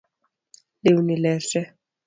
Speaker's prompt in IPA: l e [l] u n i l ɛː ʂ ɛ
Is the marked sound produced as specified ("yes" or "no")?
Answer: no